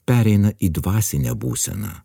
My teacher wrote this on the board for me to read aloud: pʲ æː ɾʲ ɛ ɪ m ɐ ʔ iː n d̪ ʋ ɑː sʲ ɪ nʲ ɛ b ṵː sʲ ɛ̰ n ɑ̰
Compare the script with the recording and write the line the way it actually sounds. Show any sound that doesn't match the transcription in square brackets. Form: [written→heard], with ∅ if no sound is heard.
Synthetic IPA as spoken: pʲ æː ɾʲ ɛ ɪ [m→n] ɐ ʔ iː [n→∅] d̪ ʋ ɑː sʲ ɪ nʲ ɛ b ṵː sʲ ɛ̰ n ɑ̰